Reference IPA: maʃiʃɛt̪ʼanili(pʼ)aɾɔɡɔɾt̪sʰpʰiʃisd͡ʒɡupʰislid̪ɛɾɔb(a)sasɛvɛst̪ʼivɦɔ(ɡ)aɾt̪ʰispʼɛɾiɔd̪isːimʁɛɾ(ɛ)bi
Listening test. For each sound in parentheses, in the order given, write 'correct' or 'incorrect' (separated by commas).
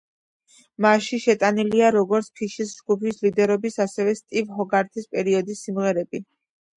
incorrect, incorrect, correct, correct